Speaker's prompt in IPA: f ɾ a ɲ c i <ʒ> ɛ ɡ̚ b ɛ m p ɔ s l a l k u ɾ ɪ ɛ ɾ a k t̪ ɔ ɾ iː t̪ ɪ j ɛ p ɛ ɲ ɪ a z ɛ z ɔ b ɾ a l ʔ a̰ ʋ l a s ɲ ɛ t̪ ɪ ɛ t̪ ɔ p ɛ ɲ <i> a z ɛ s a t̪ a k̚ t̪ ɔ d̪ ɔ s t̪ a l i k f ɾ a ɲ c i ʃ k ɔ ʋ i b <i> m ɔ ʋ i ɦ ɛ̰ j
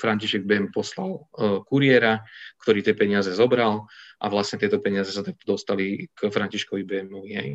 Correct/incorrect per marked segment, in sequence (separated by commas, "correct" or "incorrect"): incorrect, incorrect, incorrect